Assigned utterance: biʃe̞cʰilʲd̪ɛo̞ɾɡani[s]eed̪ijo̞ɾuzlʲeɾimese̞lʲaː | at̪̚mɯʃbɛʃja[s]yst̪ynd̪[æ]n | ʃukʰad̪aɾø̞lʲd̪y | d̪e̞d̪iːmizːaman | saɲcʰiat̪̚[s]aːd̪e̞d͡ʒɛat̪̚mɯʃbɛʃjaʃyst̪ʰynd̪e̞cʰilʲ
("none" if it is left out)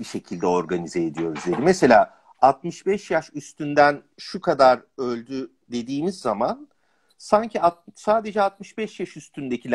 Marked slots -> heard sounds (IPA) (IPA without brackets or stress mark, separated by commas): z, ʃ, æ, s